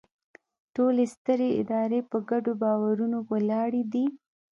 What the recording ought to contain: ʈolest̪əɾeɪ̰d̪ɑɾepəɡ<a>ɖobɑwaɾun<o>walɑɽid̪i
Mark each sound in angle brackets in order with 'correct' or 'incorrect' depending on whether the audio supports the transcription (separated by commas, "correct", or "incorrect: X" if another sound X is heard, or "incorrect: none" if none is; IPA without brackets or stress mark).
correct, correct